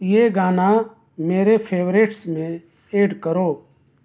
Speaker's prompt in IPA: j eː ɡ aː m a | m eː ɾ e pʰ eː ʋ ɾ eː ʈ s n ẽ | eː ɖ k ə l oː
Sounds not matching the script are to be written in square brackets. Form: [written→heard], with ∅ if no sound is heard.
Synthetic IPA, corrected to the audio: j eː ɡ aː [m→n] a | m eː ɾ e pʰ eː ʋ ɾ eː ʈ s [n→m] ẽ | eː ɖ k ə [l→ɾ] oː